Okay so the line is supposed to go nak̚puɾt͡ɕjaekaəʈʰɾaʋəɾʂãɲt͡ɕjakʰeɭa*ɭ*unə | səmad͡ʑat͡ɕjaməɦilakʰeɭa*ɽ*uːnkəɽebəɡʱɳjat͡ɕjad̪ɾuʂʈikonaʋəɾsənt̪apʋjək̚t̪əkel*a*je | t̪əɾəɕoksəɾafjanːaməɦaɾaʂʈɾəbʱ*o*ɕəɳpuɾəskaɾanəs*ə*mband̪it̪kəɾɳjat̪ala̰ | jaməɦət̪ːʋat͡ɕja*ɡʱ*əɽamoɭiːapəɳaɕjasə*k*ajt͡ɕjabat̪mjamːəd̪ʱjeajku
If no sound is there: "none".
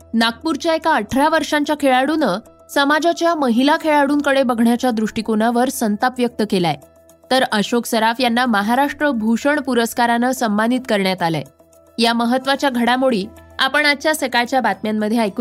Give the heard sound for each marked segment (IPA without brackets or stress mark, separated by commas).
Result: ɽ, ɽ, a, u, ə, ɡʱ, k